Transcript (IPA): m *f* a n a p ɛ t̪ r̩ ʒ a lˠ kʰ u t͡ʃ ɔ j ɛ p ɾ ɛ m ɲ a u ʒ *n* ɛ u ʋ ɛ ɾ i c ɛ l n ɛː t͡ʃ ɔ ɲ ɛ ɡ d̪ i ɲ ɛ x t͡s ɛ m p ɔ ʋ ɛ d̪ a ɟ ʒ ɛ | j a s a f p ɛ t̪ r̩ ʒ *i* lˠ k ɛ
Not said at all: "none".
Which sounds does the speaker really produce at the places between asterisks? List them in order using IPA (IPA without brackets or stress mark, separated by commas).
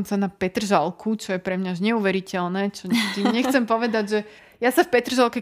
s, ɲ, a